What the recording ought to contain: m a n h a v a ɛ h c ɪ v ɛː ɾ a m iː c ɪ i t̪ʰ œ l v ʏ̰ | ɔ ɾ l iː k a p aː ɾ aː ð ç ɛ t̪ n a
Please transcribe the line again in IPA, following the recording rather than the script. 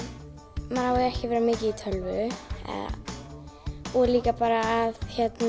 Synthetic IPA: m a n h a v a ɛ h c ɪ v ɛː ɾ a m ɪː c ɪ i t̪ʰ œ l v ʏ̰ | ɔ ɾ l iː k a p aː ɾ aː ð ç ɛ t̪ n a